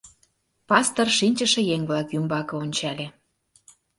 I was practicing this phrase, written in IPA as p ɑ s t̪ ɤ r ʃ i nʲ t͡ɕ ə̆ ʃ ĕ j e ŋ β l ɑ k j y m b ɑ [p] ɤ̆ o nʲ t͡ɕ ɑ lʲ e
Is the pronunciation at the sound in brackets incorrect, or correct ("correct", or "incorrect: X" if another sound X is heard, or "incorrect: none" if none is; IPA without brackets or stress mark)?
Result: incorrect: k